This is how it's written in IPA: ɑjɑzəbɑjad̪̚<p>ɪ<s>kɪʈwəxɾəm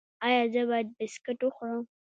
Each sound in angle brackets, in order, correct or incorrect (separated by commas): incorrect, correct